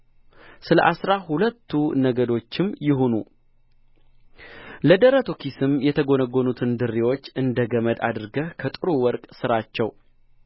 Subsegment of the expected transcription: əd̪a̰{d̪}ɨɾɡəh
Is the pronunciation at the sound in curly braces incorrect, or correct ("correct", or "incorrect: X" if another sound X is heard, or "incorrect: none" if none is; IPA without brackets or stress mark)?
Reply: correct